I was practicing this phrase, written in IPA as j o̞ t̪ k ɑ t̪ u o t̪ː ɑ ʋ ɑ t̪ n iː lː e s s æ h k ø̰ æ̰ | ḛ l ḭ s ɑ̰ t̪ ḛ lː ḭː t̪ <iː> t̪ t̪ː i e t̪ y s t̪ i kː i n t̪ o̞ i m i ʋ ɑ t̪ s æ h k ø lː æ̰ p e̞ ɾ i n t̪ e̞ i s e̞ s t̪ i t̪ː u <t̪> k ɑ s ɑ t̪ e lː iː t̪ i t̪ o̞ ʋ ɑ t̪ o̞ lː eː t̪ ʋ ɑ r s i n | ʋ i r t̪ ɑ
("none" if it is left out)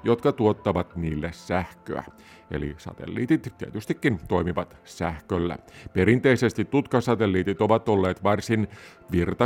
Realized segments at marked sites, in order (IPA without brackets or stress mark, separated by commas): i, t̪